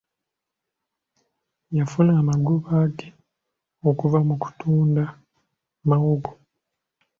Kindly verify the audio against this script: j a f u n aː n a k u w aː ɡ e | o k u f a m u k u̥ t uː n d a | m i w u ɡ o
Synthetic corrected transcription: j a f u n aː m a ɡ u β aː ɡ e | o k u v a m u k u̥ t uː n d a | m a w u ɡ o